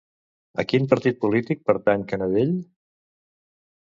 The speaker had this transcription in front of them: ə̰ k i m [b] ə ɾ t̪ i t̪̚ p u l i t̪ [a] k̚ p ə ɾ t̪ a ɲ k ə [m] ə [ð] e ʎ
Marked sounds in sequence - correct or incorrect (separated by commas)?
incorrect, incorrect, incorrect, correct